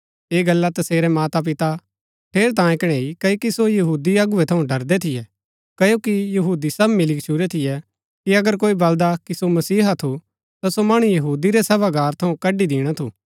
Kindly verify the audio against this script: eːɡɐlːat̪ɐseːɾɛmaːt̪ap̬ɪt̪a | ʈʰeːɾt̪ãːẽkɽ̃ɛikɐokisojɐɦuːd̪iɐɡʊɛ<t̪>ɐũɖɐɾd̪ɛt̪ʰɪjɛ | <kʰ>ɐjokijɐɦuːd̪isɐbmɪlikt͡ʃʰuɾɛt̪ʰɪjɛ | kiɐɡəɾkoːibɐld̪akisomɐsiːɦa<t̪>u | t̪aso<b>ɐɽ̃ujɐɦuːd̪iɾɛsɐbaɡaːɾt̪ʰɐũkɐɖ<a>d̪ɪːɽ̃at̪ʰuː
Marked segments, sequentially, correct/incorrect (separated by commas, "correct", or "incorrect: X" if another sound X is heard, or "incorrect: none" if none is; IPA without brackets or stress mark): incorrect: t̪ʰ, incorrect: k, incorrect: t̪ʰ, incorrect: m, incorrect: i